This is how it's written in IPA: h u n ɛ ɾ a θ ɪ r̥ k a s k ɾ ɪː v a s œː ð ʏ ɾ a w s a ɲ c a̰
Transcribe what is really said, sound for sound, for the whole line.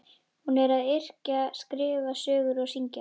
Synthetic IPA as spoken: h u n ɛ ɾ a ð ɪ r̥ c a s k ɾ ɪː v a s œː ɣ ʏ ɾ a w s i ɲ c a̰